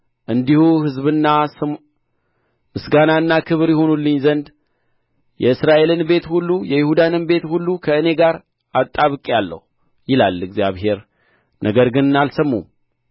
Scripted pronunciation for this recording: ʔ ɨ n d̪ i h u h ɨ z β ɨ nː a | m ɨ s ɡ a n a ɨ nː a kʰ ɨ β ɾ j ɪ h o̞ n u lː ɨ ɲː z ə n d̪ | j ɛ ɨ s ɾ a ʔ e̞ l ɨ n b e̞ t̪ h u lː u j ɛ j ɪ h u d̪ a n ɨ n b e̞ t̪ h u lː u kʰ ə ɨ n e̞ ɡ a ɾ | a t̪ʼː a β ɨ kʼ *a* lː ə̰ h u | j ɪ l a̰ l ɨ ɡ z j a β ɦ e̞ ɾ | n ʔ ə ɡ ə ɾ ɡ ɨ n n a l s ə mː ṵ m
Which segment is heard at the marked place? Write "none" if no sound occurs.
a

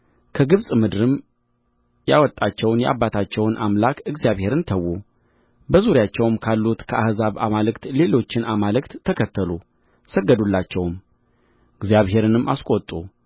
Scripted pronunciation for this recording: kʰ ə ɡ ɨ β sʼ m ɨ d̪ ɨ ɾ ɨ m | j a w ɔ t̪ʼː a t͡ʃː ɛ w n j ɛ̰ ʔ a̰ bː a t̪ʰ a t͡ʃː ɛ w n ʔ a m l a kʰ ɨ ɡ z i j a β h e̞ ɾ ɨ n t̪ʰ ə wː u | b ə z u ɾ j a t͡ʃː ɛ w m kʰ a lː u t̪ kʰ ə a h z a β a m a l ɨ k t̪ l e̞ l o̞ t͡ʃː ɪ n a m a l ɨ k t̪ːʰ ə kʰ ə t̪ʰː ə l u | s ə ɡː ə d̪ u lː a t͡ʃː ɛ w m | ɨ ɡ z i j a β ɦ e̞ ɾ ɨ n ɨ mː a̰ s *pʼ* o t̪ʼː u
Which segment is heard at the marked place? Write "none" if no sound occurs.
kʼ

